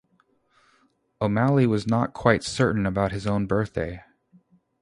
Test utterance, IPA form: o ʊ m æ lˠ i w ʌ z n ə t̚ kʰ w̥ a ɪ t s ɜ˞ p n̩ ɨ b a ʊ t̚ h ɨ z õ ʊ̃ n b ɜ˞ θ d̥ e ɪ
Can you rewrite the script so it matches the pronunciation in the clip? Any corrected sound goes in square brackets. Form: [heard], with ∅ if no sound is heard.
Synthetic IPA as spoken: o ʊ m æ lˠ i w ʌ z n ə t̚ kʰ w̥ a ɪ t s ɜ˞ [ʔ] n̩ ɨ b a ʊ t̚ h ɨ z õ ʊ̃ n b ɜ˞ θ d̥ e ɪ